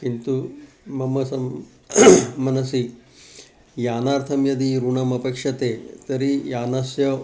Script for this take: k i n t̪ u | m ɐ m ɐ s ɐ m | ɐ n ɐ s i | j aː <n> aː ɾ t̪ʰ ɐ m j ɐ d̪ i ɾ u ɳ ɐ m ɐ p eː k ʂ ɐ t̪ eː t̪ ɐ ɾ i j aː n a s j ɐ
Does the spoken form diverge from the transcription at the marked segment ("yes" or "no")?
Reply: no